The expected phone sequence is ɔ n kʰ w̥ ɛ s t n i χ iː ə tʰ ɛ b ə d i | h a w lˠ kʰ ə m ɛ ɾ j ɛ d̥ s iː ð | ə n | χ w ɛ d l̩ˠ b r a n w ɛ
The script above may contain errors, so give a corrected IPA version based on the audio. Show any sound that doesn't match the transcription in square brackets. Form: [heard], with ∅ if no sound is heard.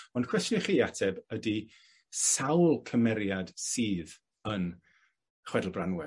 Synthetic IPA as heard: ɔ n kʰ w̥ ɛ s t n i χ iː [a] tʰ ɛ b ə d i | [s] a w lˠ kʰ ə m ɛ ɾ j [a] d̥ s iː ð | ə n | χ w ɛ d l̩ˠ b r a n w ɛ